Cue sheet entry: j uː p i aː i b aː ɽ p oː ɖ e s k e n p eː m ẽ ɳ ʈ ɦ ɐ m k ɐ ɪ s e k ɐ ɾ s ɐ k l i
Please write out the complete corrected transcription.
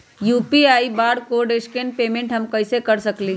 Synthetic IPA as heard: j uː p i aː i b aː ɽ k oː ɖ e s k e n p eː m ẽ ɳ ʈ ɦ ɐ m k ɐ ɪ s e k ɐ ɾ s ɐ k l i